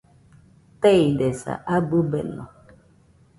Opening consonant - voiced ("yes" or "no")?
no